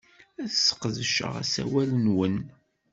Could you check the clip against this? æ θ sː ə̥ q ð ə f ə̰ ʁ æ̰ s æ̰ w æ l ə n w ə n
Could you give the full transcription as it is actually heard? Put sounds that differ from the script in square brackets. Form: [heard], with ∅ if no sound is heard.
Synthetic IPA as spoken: æ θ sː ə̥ q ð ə [ʃ] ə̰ ʁ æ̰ s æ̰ w æ l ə n w ə n

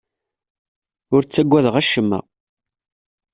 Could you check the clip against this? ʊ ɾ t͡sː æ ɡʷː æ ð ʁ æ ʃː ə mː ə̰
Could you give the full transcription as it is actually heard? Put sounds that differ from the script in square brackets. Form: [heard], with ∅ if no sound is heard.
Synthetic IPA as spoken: ʊ ɾ t͡sː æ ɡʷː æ ð ʁ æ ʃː ə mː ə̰

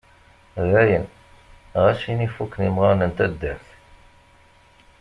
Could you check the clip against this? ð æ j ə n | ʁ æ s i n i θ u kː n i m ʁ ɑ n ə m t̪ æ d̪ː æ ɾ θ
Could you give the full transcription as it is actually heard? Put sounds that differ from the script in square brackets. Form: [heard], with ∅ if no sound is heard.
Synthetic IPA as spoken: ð æ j ə n | ʁ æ [ʃ] i n i [f] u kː n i m ʁ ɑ n ə [n] t̪ æ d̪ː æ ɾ θ

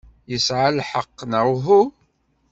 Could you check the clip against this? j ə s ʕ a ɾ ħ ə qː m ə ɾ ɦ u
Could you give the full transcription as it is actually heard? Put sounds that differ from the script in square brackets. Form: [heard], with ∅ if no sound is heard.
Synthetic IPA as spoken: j ə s ʕ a [l] ħ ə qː [n] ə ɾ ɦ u

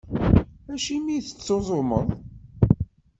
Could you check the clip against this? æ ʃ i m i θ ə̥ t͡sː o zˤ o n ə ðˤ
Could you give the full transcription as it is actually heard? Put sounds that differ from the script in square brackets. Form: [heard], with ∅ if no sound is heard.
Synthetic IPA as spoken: æ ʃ i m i θ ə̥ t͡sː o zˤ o [m] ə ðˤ

